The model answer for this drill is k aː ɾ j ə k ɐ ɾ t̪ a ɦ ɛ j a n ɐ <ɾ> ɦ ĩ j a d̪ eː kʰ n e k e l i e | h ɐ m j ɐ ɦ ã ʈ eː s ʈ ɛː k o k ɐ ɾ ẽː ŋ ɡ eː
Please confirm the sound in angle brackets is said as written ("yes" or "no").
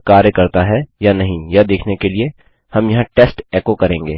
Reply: no